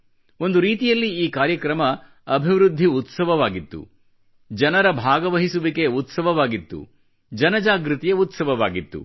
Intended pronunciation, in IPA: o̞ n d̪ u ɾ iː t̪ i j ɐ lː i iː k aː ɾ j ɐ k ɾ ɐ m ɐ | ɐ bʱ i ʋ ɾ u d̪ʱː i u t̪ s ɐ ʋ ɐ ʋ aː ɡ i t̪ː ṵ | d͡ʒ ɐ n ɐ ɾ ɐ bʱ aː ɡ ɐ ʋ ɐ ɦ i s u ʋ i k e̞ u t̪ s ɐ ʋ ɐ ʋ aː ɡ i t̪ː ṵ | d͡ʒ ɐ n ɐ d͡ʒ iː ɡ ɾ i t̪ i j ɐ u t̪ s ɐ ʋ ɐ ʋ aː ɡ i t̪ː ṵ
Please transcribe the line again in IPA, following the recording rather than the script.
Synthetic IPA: o̞ n d̪ u ɾ iː t̪ i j ɐ lː i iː k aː ɾ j ɐ k ɾ ɐ m ɐ | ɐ bʱ i ʋ ɾ u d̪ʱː i u t̪ s ɐ ʋ ɐ ʋ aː ɡ i t̪ː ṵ | d͡ʒ ɐ n ɐ ɾ ɐ bʱ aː ɡ ɐ ʋ ɐ ɦ i s u ʋ i k e̞ u t̪ s ɐ ʋ ɐ ʋ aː ɡ i t̪ː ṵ | d͡ʒ ɐ n ɐ d͡ʒ aː ɡ ɾ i t̪ i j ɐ u t̪ s ɐ ʋ ɐ ʋ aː ɡ i t̪ː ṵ

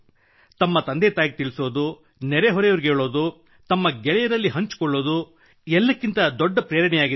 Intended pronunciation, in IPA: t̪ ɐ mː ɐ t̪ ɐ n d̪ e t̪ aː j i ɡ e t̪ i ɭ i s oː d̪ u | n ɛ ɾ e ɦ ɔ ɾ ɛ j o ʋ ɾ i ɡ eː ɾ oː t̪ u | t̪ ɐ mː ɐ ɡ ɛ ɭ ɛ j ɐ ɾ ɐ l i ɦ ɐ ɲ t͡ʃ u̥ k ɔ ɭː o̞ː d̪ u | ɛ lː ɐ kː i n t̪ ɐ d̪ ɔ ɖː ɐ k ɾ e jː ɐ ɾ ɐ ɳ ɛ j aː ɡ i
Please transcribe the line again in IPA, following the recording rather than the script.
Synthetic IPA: t̪ ɐ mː ɐ t̪ ɐ n d̪ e t̪ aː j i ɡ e t̪ i ɭ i s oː d̪ u | n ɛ ɾ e ɦ ɔ ɾ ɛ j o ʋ ɾ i ɡ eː ɭ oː d̪ u | t̪ ɐ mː ɐ ɡ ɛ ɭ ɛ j ɐ ɾ ɐ lː i ɦ ɐ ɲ t͡ʃ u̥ k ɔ ɭː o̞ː d̪ u | ɛ lː ɐ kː i n t̪ ɐ d̪ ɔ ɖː ɐ p ɾ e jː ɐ ɾ ɐ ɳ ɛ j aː ɡ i

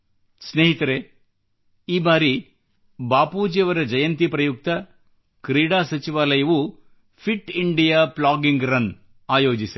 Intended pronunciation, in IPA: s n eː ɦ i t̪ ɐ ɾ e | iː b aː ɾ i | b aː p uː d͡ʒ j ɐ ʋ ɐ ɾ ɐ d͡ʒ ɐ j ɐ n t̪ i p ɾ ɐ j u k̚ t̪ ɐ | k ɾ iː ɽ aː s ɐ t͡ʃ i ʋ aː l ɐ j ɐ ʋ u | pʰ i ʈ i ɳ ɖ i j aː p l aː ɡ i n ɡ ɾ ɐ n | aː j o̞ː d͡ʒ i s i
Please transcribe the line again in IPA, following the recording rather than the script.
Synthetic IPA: s n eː ɦ i t̪ ɐ ɾ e | iː b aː ɾ i | b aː p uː d͡ʒ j ɐ ʋ ɐ ɾ ɐ d͡ʒ ɐ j ɐ n t̪ i p ɾ ɐ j u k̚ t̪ ɐ | k ɾ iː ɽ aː s ɐ t͡ʃ i ʋ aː l ɐ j ɐ ʋ u | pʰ i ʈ i ɳ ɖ i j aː p l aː ɡ i ŋ ɡ ɾ ɐ n | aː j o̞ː d͡ʒ i s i

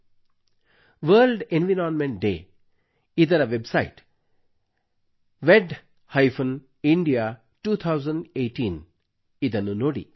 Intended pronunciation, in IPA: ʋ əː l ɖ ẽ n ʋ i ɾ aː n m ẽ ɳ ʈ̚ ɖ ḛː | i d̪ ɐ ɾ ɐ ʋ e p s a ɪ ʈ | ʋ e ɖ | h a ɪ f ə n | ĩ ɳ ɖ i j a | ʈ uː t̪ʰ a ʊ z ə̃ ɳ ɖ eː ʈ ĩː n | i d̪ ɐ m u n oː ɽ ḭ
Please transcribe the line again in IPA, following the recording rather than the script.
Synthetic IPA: ʋ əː l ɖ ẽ n ʋ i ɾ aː n m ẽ ɳ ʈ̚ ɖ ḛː | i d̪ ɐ ɾ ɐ ʋ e b s a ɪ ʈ | ʋ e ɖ | h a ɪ f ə n | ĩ ɳ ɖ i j a | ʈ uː t̪ʰ a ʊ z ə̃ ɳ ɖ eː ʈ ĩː n | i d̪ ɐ n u n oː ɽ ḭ

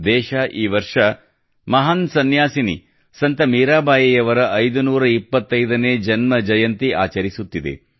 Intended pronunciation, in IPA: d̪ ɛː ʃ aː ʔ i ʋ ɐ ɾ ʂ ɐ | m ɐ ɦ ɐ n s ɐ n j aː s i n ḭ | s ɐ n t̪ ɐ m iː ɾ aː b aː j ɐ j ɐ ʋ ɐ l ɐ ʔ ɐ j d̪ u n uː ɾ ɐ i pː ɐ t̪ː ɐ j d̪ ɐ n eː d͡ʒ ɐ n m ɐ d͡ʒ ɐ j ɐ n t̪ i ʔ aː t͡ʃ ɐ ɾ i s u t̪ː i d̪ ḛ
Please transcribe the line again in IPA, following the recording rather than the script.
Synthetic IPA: d̪ ɛː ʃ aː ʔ iː ʋ ɐ ɾ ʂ ɐ | m ɐ ɦ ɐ n s ɐ n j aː s i n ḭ | s ɐ n t̪ ɐ m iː ɾ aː b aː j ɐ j ɐ ʋ ɐ ɾ ɐ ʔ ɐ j d̪ u n uː ɾ ɐ i pː ɐ t̪ː ɐ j d̪ ɐ n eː d͡ʒ ɐ n m ɐ d͡ʒ ɐ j ɐ n t̪ i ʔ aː t͡ʃ ɐ ɾ i s u t̪ː i d̪ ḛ

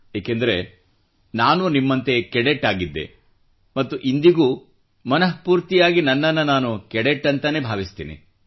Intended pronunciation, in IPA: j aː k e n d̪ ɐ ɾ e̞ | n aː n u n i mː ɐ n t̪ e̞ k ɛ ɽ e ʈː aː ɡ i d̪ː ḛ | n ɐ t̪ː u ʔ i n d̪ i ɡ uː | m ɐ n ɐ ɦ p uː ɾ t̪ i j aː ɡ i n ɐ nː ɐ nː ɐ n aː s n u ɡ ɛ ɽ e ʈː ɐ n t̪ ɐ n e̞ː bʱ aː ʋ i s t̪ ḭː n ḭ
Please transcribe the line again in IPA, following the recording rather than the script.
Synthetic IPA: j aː k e n d̪ ɐ ɾ e̞ | n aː n u n i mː ɐ n t̪ e̞ k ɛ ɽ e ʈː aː ɡ i d̪ː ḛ | m ɐ t̪ː u ʔ i n d̪ i ɡ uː | m ɐ n ɐ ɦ p uː ɾ t̪ i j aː ɡ i n ɐ nː ɐ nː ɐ n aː n u k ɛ ɽ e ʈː ɐ n t̪ ɐ n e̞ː bʱ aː ʋ i s t̪ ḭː n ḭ

